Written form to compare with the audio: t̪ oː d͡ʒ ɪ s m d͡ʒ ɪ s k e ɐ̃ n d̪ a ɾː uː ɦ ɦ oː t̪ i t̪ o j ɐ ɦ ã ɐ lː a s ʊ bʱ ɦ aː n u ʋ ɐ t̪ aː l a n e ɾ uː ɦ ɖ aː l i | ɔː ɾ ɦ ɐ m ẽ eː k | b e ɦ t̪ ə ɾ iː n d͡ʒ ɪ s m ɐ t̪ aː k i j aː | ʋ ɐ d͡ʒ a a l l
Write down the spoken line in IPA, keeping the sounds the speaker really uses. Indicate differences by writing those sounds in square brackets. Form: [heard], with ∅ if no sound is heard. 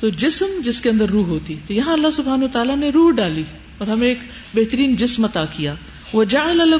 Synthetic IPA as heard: t̪ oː d͡ʒ ɪ s m d͡ʒ ɪ s k e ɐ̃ n d̪ [ə] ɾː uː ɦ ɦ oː t̪ i t̪ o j ɐ ɦ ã ɐ lː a s ʊ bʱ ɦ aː n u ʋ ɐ t̪ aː l a n e ɾ uː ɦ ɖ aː l i | ɔː ɾ ɦ ɐ m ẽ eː k | b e ɦ t̪ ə ɾ iː n d͡ʒ ɪ s m ɐ t̪ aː k i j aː | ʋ ɐ d͡ʒ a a l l